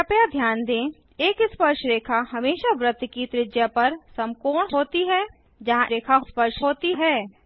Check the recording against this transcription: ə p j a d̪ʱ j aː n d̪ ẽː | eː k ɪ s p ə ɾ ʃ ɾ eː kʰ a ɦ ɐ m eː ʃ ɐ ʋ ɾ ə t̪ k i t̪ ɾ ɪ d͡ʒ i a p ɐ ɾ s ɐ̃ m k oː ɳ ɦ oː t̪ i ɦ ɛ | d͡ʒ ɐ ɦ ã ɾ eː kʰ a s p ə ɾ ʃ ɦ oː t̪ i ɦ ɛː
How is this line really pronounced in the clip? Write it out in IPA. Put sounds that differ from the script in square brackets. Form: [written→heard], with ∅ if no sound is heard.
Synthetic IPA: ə p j a d̪ʱ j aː n d̪ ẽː | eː k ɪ s p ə ɾ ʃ ɾ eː kʰ a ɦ ɐ m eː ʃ [ɐ→a] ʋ ɾ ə t̪ k i t̪ ɾ ɪ d͡ʒ [i→j] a p ɐ ɾ s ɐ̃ m k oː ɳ ɦ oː t̪ i ɦ ɛ | d͡ʒ ɐ ɦ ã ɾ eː kʰ a s p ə ɾ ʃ ɦ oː t̪ i ɦ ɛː